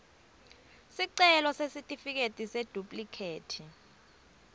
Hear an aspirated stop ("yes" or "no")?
yes